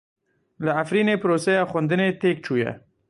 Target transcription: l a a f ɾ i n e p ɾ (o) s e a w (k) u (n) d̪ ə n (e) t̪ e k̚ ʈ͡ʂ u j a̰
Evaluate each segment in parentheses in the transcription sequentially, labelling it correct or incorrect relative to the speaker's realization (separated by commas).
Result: correct, incorrect, correct, correct